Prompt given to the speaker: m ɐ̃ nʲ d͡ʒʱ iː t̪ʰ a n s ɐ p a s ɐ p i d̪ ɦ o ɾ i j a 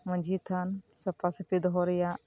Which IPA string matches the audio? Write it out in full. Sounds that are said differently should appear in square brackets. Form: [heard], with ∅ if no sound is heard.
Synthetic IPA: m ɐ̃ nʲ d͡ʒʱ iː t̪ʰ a n s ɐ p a s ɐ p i d̪ ɦ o ɾ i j a